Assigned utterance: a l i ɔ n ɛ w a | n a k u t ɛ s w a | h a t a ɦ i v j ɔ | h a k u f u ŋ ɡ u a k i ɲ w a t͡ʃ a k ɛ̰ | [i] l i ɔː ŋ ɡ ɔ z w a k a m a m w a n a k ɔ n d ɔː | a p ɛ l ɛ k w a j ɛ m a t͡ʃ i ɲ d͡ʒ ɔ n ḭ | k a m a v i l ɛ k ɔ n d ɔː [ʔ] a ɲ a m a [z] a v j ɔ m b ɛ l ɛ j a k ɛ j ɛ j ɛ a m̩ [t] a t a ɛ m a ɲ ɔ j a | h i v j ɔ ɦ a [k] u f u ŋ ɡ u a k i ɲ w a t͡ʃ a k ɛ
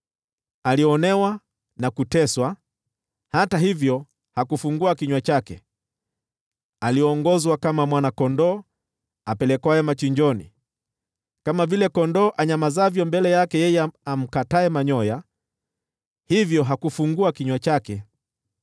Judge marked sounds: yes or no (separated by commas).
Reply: no, yes, yes, no, yes